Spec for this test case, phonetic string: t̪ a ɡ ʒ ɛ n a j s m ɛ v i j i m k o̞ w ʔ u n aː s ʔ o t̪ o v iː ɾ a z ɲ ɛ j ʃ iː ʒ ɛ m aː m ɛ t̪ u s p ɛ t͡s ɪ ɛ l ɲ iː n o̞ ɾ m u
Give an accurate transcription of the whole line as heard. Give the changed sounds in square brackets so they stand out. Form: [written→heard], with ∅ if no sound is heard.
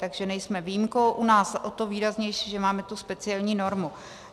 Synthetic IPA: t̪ a ɡ ʒ ɛ n [a→ɛ] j s m ɛ v i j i m k o̞ w ʔ u n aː s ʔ o t̪ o v iː ɾ a z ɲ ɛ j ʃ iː ʒ ɛ m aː m ɛ t̪ u s p ɛ t͡s ɪ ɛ l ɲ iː n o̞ ɾ m u